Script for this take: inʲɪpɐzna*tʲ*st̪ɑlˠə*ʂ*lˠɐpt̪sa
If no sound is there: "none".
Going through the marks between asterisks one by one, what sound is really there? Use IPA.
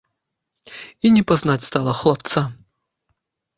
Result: tʲ, x

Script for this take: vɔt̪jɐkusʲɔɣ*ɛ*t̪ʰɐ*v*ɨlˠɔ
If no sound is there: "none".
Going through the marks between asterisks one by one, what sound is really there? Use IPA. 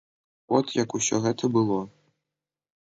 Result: ɛ, b

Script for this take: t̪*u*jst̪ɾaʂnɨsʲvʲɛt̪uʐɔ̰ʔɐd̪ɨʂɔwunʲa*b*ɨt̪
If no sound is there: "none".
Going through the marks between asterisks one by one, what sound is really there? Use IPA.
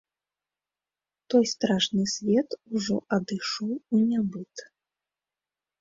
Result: ɔ, b

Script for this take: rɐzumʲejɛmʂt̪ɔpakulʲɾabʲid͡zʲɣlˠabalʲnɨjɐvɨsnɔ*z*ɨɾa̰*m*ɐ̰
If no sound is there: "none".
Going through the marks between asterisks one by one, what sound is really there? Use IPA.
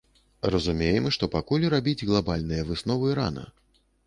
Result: v, n

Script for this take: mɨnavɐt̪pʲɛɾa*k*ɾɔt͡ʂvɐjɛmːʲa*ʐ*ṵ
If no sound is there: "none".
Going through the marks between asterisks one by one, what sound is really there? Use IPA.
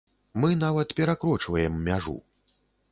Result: k, ʐ

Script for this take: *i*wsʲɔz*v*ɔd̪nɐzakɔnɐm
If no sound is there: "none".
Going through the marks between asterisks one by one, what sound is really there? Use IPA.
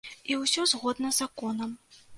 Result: i, ɣ

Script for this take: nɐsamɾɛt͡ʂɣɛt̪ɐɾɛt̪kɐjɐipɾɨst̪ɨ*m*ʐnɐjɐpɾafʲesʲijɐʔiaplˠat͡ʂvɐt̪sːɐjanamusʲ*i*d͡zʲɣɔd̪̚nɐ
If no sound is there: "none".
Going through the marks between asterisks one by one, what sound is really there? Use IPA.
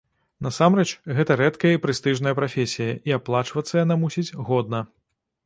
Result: none, i

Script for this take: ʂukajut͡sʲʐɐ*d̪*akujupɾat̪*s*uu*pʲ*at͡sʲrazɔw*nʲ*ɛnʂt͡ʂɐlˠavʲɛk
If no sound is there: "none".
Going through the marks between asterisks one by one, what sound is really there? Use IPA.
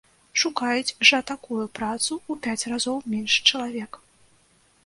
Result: t̪, s, pʲ, mʲ

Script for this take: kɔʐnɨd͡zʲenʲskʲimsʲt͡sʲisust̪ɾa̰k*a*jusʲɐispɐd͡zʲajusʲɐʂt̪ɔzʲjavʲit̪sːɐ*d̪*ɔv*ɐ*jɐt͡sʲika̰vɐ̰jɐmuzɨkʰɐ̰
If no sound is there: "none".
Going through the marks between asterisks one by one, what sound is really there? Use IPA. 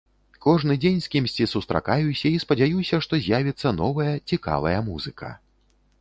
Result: a, n̪, ɐ

